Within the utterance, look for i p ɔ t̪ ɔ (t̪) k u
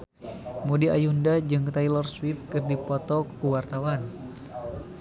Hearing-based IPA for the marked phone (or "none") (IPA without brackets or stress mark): none